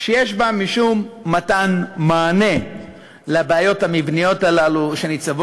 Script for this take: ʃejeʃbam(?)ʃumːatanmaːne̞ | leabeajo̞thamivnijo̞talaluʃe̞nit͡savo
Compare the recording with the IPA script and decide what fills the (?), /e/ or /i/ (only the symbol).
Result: i